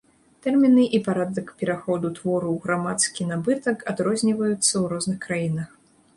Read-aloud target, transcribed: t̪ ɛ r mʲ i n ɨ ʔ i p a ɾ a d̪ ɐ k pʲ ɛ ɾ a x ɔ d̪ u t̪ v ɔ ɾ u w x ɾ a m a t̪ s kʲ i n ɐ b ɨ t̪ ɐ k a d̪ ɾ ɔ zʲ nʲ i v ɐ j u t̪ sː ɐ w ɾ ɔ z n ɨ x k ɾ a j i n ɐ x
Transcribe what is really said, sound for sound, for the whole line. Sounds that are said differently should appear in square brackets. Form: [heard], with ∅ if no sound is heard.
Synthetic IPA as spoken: t̪ ɛ r mʲ i n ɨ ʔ i p a ɾ a d̪ ɐ k pʲ ɛ ɾ a x ɔ d̪ u t̪ v ɔ ɾ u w [ɣ] ɾ a m a t̪ s kʲ i n [a] b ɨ t̪ ɐ k a d̪ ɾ ɔ zʲ nʲ i v ɐ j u t̪ sː ɐ w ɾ ɔ z n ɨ x k ɾ a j i n ɐ x